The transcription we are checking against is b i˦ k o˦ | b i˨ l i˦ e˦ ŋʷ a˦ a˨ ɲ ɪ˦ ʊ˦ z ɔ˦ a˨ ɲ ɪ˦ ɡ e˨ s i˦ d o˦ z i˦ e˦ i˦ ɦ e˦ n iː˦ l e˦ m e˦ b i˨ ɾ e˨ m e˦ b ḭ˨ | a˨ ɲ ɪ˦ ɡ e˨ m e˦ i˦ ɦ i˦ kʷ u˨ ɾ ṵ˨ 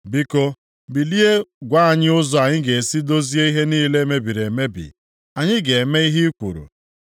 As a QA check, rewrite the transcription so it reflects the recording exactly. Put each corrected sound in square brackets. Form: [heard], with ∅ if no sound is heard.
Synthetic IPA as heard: b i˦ k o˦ | b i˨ l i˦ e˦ [ɡʷ] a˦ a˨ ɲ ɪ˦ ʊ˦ z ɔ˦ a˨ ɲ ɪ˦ ɡ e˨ s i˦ d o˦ z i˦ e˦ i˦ ɦ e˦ n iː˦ l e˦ m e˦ b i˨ ɾ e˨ m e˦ b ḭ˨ | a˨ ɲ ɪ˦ ɡ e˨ m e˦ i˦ ɦ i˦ kʷ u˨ ɾ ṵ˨